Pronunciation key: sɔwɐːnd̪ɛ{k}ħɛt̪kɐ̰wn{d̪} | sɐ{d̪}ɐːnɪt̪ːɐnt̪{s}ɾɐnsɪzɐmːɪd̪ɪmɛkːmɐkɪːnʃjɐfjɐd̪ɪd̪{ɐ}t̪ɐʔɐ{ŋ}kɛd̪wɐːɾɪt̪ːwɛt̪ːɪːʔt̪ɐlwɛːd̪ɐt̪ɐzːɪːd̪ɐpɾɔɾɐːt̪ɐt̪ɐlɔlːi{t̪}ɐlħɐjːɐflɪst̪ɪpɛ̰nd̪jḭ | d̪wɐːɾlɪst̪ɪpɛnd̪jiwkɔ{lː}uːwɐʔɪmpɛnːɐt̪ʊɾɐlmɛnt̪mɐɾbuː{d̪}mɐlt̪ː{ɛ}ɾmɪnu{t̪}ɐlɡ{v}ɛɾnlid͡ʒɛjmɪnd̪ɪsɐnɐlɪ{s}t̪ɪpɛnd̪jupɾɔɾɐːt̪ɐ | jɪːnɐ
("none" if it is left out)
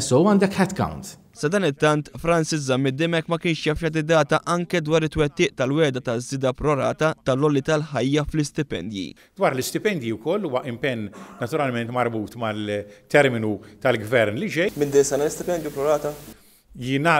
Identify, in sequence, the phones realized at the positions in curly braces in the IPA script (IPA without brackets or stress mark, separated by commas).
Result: k, t̪, d̪, f, ɐː, ŋ, t̪, lː, t̪, ɛ, t̪, v, s